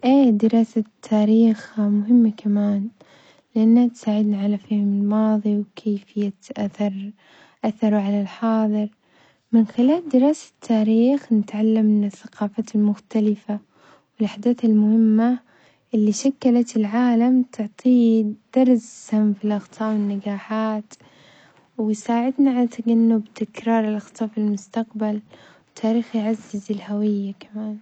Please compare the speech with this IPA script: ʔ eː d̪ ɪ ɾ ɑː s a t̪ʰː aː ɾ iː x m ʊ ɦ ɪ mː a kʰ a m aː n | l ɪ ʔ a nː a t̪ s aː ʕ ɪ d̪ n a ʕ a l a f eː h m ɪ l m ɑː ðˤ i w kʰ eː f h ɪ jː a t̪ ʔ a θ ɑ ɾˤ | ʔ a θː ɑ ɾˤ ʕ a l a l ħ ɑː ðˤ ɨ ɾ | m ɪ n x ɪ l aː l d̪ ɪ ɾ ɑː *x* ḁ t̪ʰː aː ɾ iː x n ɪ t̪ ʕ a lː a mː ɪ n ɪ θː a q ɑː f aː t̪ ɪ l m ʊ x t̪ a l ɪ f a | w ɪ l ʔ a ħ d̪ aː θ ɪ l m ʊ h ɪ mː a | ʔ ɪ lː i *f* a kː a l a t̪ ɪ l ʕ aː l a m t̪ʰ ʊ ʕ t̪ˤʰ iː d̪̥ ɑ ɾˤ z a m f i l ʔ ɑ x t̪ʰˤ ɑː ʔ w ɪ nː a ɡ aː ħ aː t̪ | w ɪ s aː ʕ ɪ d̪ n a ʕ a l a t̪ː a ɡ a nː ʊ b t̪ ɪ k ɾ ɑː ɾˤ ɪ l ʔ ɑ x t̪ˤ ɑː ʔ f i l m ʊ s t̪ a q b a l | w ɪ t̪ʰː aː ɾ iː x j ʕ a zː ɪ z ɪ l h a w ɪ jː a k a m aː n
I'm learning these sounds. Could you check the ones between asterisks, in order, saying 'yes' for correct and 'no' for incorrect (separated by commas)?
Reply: no, no